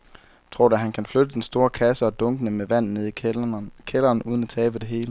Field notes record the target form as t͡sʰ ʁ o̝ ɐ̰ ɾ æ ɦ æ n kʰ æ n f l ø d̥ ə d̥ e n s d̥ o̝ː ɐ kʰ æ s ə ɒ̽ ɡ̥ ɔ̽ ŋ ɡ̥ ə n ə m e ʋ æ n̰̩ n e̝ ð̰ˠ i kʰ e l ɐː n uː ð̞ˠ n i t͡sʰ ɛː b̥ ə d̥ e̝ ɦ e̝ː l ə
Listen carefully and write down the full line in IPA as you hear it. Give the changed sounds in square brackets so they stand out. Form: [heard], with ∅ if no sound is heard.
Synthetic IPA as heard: t͡sʰ ʁ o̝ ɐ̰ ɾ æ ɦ æ n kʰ æ n f l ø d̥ ə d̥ e n s d̥ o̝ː ɐ kʰ æ s ə ɒ̽ [d̥] ɔ̽ ŋ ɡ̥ ə n ə m e ʋ æ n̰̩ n e̝ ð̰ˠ i kʰ e l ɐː n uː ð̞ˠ n [æ] t͡sʰ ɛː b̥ ə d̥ e̝ ɦ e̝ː l ə